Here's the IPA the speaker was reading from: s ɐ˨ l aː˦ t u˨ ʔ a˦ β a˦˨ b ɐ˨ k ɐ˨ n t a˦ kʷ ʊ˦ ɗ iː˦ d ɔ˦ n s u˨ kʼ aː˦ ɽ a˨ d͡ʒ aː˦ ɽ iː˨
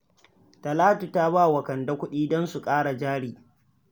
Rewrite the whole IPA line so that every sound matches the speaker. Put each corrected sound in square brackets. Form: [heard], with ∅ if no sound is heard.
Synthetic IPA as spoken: [t] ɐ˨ l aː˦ t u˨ [t] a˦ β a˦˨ [w] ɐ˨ k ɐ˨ n [d] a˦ kʷ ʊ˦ ɗ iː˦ d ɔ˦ n s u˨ kʼ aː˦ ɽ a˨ d͡ʒ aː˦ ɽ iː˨